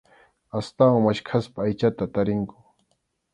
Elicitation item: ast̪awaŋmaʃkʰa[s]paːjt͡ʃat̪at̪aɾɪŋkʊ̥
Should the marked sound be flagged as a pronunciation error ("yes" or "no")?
no